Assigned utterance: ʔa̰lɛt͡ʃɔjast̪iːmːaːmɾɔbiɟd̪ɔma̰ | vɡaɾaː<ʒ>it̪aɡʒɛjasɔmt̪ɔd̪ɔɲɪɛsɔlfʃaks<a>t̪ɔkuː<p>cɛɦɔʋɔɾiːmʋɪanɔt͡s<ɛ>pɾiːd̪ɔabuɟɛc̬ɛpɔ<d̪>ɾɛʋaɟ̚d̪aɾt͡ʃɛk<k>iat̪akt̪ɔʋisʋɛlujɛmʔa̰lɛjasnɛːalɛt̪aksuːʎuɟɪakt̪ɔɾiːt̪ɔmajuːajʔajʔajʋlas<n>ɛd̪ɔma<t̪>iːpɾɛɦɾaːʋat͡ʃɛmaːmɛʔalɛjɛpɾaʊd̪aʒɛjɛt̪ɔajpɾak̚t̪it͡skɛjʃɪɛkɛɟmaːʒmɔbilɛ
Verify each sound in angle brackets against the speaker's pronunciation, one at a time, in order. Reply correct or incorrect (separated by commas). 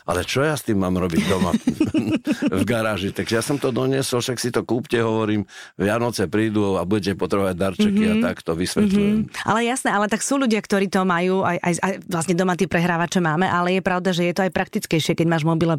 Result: correct, incorrect, correct, correct, incorrect, correct, incorrect, correct